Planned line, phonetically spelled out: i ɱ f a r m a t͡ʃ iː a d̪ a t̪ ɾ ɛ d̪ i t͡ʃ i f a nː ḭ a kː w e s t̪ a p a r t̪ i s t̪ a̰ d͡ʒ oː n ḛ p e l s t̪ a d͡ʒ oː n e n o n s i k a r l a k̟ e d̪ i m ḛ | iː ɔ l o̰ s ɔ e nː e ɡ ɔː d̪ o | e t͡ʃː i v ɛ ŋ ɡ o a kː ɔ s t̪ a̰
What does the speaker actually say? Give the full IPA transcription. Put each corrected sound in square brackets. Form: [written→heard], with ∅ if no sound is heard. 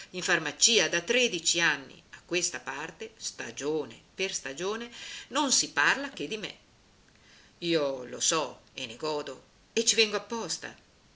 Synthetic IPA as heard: i ɱ f a r m a t͡ʃ iː a d̪ a t̪ ɾ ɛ d̪ i t͡ʃ i [f→∅] a nː ḭ a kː w e s t̪ a p a r t̪ [i→e] s t̪ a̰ d͡ʒ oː n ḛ p e [l→r] s t̪ a d͡ʒ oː n e n o n s i [k→p] a r l a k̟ e d̪ i m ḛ | iː [ɔ→o] l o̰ s ɔ e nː e ɡ ɔː d̪ o | e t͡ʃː i v ɛ ŋ ɡ o a [kː→pː] ɔ s t̪ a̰